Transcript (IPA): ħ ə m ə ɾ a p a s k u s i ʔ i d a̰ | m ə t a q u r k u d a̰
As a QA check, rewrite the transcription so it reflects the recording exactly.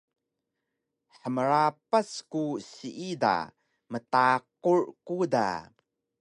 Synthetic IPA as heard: ħ ə m ə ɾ a p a s k u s i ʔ i d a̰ | m ə t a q u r k u d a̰

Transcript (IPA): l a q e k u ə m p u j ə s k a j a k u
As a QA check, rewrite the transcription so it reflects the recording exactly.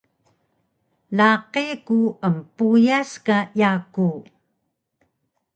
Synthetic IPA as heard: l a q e k u ə m p u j a s k a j a k u

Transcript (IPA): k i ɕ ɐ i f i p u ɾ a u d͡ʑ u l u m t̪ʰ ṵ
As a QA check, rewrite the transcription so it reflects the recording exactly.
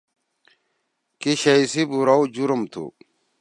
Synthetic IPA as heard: k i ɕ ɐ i s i b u ɾ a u d͡ʑ u ɾ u m t̪ʰ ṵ

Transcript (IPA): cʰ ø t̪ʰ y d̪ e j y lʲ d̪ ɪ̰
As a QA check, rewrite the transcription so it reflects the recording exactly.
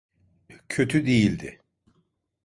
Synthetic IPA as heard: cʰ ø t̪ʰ y d̪ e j i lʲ d̪ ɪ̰

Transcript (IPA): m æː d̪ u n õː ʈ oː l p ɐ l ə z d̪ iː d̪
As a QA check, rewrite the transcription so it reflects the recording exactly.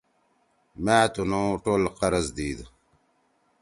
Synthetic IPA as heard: m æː t̪ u n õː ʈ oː l q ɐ ɾ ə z d̪ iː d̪

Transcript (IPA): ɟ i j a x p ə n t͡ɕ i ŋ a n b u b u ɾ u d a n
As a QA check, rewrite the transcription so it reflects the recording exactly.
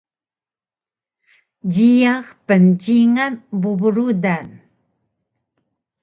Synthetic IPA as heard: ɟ i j a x p ə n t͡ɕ i ŋ a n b u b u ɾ u d a n

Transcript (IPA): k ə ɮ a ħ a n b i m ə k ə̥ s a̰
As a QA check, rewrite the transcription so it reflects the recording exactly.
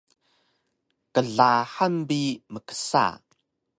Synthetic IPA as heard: k ə ɮ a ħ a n b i m ə k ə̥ s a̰

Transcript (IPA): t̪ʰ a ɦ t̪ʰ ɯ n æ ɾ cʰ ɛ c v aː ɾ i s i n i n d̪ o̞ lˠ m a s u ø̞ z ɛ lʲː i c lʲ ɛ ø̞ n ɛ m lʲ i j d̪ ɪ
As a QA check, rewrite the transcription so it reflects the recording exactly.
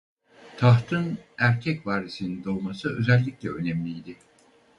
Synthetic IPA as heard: t̪ʰ a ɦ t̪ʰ ɯ n æ ɾ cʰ ɛ c v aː ɾ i s i n i n d̪ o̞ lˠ m a s ɯ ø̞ z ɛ lʲː i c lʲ ɛ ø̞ n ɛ m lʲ i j d̪ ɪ

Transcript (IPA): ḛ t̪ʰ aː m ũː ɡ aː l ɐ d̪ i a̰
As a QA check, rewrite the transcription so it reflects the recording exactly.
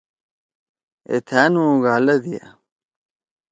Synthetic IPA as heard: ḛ t̪ʰ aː n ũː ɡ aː l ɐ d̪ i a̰

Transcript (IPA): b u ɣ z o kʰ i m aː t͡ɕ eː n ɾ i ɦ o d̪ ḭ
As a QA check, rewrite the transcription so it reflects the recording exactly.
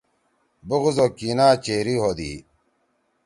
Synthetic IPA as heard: b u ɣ z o k i n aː t͡ɕ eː ɾ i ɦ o d̪ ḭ

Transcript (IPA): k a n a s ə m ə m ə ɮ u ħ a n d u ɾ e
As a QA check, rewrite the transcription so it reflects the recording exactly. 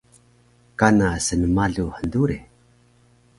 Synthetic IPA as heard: k a n a s ə n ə m a ɮ u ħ ə n d u ɾ e

